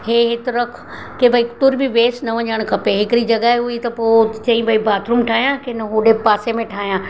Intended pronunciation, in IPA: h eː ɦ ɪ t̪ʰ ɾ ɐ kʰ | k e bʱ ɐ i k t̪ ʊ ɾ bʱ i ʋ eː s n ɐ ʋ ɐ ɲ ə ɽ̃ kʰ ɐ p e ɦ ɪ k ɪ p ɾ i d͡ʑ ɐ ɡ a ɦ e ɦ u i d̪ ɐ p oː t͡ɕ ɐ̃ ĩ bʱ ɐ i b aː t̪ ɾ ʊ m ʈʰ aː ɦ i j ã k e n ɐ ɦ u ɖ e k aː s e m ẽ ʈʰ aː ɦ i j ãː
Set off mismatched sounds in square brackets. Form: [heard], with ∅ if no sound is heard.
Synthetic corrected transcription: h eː ɦ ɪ [t̪] ɾ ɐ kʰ | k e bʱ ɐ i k t̪ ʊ ɾ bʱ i ʋ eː s n ɐ ʋ ɐ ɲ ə ɽ̃ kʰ ɐ p e ɦ ɪ k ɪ [∅] ɾ i d͡ʑ ɐ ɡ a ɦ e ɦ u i [t̪] ɐ p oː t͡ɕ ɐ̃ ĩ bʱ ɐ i b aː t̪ ɾ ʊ m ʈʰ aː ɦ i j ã k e n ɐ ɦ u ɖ e [p] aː s e m ẽ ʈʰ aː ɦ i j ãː